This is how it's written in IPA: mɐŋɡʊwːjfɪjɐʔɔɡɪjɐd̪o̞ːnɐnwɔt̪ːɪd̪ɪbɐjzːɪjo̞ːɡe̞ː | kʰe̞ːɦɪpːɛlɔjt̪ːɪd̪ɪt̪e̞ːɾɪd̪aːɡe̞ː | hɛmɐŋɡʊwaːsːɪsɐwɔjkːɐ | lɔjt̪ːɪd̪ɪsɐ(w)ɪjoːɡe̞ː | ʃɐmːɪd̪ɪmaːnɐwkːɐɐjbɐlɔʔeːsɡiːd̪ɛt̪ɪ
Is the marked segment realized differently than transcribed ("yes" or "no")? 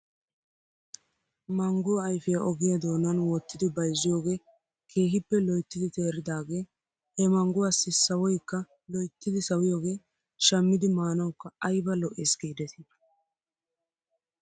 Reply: no